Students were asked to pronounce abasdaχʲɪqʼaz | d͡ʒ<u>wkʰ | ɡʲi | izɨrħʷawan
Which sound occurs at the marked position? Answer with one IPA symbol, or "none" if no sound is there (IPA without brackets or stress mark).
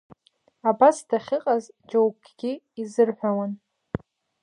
o